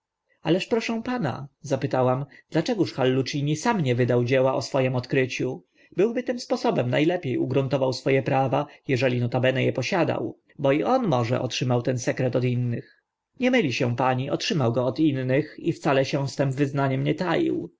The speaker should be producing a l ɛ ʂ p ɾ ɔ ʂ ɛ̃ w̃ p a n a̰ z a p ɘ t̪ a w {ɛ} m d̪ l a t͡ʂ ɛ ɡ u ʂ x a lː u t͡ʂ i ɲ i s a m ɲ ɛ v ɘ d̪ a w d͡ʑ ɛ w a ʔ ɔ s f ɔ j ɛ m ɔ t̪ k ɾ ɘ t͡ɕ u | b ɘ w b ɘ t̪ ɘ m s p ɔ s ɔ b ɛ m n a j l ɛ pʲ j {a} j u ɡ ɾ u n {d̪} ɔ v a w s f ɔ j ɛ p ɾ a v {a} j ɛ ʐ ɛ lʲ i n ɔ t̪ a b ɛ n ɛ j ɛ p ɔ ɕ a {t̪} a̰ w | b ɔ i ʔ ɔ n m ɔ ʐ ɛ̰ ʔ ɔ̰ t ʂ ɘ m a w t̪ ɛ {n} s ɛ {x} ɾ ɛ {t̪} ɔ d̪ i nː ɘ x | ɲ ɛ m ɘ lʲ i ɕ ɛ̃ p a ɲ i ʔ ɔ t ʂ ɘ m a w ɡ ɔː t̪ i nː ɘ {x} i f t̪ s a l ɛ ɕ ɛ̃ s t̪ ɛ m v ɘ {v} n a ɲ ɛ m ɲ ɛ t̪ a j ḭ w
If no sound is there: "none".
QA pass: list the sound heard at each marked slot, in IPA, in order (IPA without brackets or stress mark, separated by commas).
a, e, t̪, a, d̪, n, k, t̪, x, z